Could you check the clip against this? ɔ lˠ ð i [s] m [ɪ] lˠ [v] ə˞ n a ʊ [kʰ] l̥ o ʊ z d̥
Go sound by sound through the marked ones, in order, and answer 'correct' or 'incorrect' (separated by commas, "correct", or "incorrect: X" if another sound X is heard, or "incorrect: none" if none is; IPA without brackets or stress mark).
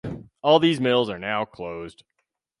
incorrect: z, correct, incorrect: z, correct